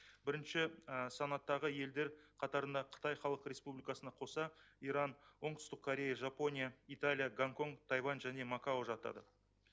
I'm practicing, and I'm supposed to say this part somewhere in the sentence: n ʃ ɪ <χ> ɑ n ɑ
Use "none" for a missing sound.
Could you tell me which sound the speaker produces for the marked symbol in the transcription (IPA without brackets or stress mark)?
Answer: s